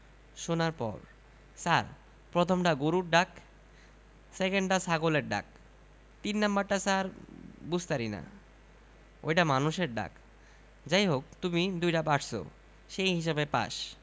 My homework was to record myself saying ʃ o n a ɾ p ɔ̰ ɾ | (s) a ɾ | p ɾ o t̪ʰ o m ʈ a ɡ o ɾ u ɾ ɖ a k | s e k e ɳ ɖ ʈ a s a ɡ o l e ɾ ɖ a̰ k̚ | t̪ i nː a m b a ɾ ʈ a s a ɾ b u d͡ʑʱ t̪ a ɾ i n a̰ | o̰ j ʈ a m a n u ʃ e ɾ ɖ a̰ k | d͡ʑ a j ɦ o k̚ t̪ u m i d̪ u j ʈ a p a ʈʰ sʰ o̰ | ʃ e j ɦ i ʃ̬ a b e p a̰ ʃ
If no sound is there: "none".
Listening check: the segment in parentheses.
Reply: s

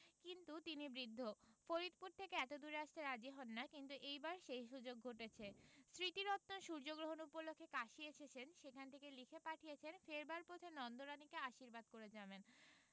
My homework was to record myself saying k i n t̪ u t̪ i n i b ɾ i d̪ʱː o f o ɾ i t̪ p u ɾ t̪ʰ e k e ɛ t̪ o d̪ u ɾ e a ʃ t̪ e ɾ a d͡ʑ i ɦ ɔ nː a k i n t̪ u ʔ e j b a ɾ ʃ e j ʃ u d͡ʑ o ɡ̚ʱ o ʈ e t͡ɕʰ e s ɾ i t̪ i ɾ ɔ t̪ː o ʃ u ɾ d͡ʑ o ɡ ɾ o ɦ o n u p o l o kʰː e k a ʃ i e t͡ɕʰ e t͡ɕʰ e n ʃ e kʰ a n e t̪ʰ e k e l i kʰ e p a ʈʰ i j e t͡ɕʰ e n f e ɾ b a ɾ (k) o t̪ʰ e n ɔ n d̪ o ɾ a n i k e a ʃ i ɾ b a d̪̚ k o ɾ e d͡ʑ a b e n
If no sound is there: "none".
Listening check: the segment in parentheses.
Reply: p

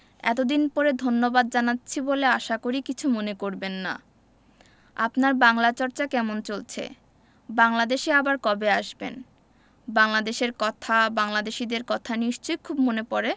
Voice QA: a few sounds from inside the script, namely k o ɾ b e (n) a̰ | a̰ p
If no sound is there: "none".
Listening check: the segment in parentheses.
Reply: nː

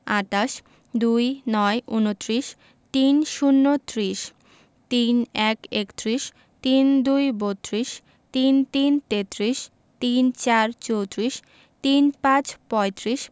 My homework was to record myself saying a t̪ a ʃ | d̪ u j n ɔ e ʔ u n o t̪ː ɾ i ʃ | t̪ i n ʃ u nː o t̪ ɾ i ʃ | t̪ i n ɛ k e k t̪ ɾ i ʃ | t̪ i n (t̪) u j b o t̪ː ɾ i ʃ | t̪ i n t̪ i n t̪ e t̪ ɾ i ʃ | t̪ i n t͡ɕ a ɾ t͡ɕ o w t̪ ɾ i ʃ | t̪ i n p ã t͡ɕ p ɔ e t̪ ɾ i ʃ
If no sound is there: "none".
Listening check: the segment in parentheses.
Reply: d̪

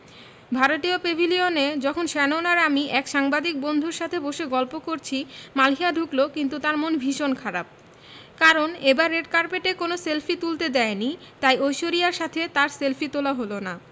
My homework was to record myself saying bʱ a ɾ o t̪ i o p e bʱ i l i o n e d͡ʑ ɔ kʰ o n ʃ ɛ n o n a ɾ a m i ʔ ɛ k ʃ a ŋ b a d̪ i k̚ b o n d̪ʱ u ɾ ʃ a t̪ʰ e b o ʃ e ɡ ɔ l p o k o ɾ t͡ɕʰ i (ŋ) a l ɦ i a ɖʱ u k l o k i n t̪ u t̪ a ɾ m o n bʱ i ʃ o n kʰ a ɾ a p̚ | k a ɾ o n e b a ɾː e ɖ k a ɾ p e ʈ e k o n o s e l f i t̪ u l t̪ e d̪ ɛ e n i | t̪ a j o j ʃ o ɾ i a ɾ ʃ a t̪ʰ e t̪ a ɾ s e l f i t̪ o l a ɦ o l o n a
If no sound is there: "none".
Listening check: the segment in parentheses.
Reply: m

